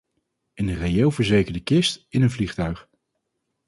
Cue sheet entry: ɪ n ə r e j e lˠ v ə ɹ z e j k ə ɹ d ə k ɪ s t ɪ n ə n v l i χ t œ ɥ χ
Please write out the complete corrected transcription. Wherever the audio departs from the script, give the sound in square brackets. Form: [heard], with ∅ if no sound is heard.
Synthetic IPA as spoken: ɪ n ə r e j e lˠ v ə ɹ z e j k ə ɹ d ə k ɪ s t ɪ n ə n v l i χ t œ ɥ χ